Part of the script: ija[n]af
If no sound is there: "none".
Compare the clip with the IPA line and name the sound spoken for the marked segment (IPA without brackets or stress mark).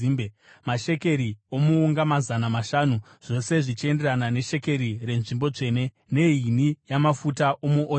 m